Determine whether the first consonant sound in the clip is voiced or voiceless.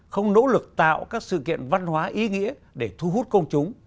voiceless